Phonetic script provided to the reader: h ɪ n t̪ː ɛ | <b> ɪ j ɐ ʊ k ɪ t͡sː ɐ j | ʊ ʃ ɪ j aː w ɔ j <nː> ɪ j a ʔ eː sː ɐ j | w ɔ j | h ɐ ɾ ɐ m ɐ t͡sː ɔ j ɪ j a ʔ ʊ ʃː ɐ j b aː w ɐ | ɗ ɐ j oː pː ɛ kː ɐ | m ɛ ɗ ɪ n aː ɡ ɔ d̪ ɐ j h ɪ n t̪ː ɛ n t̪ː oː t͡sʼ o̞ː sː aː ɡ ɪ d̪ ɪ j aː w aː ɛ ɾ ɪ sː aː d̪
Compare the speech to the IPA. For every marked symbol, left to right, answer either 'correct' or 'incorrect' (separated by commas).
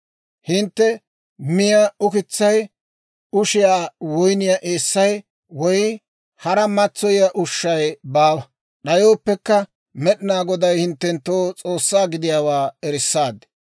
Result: incorrect, incorrect